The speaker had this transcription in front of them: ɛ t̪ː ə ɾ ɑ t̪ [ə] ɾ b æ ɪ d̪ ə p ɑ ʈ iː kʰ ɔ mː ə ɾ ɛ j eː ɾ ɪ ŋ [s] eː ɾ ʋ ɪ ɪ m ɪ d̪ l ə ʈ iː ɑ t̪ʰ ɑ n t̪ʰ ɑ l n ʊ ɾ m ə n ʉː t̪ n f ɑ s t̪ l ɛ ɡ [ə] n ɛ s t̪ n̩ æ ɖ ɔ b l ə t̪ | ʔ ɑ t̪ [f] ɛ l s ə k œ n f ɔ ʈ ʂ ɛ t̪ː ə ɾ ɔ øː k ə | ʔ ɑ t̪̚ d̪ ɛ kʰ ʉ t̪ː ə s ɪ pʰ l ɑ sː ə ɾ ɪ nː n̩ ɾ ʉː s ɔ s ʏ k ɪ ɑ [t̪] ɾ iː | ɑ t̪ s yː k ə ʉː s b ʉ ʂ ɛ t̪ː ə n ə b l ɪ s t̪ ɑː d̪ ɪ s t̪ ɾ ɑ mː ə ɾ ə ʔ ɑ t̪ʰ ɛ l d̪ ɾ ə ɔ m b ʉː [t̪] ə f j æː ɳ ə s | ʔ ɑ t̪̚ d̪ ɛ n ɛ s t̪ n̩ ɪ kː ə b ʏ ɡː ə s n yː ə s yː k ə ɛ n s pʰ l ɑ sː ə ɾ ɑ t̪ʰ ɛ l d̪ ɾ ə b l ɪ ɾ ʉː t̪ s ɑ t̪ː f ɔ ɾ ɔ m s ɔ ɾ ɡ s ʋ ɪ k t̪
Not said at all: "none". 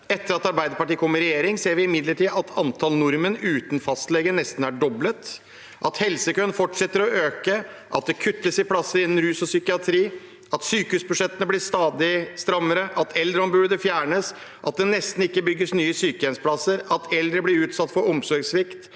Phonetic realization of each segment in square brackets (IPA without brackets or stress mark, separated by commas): ɑ, s, ə, h, t̪ʰ, d̪